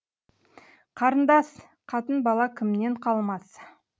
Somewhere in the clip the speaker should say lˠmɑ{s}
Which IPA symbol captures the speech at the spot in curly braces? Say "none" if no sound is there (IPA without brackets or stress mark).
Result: s